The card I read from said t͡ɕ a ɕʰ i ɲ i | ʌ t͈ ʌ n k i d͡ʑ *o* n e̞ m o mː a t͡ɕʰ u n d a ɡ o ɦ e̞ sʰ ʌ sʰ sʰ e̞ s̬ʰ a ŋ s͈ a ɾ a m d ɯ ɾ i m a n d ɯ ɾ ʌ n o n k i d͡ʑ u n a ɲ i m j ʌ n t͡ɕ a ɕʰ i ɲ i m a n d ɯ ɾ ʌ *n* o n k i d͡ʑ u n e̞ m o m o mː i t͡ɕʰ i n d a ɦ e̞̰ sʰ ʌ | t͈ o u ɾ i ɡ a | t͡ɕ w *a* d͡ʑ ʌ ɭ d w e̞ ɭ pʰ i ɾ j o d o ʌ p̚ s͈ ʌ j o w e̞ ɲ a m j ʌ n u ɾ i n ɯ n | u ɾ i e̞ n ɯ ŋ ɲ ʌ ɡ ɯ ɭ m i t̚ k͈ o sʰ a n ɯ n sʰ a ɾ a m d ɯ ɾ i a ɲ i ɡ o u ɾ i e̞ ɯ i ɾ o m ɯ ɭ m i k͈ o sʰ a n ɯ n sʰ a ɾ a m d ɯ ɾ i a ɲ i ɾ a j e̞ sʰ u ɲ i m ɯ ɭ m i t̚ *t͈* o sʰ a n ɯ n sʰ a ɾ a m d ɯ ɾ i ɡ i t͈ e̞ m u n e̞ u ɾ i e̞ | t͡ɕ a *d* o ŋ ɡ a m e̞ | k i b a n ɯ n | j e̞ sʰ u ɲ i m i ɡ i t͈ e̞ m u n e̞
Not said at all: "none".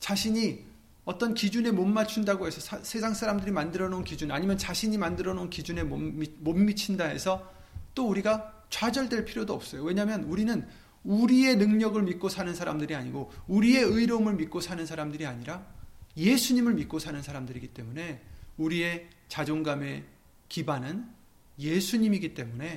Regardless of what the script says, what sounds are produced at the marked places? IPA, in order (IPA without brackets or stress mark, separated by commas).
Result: u, n, a, k͈, d͡ʑ